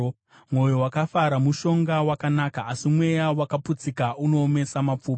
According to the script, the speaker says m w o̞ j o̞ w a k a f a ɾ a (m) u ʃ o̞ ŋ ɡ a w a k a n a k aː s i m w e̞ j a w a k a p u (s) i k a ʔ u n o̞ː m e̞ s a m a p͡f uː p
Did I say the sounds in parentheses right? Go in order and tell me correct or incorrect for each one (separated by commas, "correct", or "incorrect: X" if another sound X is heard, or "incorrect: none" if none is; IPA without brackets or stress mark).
correct, incorrect: t͡s